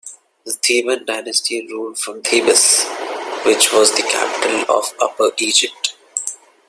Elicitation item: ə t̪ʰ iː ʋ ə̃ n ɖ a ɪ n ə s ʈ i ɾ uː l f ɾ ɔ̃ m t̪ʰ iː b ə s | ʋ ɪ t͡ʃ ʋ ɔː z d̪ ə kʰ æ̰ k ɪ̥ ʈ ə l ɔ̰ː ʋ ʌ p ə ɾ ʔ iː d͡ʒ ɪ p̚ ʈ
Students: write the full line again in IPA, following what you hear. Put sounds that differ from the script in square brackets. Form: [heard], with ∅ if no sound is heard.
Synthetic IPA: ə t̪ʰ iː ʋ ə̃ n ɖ a ɪ n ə s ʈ i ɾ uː l f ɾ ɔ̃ m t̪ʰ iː b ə s | ʋ ɪ t͡ʃ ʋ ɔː z d̪ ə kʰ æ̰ [p] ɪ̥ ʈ ə l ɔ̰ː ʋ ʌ p ə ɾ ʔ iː d͡ʒ ɪ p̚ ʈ